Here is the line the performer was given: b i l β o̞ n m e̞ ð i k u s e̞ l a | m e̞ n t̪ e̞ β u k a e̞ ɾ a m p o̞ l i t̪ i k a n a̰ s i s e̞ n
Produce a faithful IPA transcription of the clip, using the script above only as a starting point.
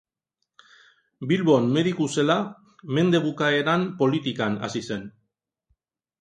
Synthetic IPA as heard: b i l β o̞ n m e̞ ð i k u s e̞ l a | m e̞ n d̪ e̞ β u k a e̞ ɾ a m p o̞ l i t̪ i k a n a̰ s i s e̞ n